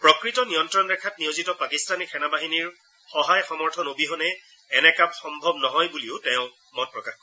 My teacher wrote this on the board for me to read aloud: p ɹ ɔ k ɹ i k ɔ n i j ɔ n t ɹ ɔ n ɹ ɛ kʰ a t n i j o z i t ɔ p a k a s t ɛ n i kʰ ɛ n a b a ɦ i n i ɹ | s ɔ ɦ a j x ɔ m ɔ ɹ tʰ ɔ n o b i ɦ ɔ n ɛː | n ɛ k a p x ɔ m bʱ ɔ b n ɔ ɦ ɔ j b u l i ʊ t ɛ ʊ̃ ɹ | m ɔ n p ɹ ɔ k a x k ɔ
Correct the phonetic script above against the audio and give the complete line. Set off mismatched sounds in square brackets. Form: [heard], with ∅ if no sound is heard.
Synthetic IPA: p ɹ ɔ k ɹ i [t] ɔ n i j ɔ n t ɹ ɔ n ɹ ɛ kʰ a t n i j o z i t ɔ p a k [i] s t [a] n i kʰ ɛ n a b a ɦ i n i ɹ | [x] ɔ ɦ a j x ɔ m ɔ ɹ tʰ ɔ n o b i ɦ ɔ n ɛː | n ɛ k a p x ɔ m bʱ ɔ b n ɔ ɦ ɔ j b u l i ʊ t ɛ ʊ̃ [∅] | m ɔ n p ɹ ɔ k a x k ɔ